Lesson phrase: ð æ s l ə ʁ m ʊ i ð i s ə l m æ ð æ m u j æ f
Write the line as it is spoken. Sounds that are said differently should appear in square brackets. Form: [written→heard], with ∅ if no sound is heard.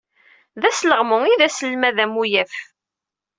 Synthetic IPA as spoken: ð æ s l ə ʁ m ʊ i ð [i→æ] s ə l m æ ð æ m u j æ f